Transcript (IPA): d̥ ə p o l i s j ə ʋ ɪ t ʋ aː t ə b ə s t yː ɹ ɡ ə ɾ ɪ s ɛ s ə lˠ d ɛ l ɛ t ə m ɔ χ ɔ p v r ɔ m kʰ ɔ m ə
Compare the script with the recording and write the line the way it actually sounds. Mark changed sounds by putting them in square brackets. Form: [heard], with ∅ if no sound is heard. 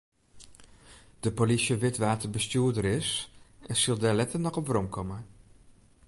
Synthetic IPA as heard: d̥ ə p o l i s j ə ʋ ɪ t ʋ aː t ə b ə s t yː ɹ [d] ə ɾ ɪ s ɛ s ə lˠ d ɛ l ɛ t ə [n] ɔ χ ɔ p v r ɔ m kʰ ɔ m ə